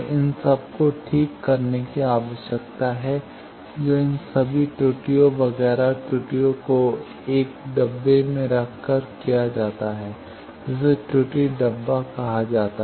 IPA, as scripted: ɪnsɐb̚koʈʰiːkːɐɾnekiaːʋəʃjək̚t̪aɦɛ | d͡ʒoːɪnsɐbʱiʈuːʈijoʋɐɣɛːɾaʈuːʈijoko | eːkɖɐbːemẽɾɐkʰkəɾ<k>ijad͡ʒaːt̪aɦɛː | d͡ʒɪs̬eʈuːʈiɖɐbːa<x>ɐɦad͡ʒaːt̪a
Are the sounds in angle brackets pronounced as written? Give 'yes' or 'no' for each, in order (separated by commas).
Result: yes, no